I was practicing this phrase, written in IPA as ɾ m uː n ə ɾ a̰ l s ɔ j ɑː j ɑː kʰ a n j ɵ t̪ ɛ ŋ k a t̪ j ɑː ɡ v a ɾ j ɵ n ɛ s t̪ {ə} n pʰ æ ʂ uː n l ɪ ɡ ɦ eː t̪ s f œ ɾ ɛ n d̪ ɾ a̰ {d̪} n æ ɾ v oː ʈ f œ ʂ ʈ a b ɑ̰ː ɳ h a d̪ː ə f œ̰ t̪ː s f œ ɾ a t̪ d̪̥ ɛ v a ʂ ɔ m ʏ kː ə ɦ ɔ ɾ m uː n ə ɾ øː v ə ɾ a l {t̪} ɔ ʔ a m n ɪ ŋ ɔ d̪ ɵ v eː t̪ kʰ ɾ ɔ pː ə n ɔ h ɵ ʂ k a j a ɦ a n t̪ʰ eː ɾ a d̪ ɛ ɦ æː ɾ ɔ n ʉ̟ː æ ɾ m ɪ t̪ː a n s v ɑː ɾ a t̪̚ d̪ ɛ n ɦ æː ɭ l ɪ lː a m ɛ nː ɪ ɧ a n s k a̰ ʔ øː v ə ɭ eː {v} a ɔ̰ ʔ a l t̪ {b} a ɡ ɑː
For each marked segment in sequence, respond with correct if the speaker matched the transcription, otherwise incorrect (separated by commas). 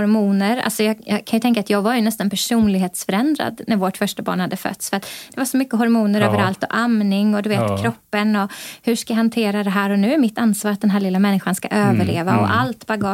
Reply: incorrect, correct, correct, correct, correct